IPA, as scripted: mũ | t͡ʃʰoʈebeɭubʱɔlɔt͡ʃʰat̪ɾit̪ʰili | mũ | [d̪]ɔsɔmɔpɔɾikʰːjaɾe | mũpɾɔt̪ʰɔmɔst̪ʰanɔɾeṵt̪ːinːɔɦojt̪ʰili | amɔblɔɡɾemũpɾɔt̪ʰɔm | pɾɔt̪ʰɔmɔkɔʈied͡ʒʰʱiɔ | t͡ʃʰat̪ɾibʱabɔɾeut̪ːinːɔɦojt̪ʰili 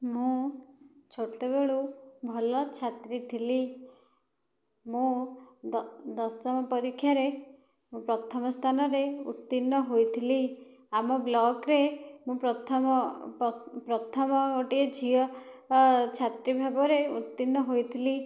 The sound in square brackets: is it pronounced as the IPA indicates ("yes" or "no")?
yes